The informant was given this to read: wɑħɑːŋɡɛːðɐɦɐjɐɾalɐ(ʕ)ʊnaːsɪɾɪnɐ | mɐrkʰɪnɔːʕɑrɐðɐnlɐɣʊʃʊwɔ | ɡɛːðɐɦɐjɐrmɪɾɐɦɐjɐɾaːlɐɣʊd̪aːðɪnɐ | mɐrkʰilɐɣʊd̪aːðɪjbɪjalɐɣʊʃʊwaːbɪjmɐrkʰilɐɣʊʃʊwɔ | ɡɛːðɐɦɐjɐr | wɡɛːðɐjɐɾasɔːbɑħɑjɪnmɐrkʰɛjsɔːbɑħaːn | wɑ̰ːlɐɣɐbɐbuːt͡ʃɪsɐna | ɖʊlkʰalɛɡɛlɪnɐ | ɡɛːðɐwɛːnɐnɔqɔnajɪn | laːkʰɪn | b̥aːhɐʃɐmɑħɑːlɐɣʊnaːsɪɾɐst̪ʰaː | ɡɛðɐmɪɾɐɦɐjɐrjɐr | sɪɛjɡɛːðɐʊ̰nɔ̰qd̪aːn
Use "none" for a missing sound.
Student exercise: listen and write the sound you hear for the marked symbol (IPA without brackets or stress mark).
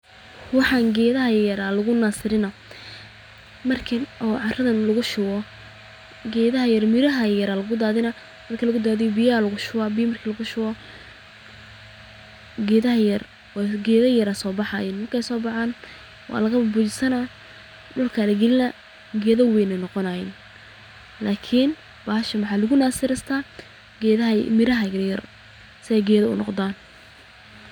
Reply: ɣ